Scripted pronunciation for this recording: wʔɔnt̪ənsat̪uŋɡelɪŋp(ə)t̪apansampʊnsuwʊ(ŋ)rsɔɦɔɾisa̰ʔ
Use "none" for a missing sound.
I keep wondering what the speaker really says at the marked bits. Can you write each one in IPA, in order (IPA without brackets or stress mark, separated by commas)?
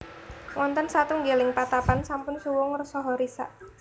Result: a, ŋ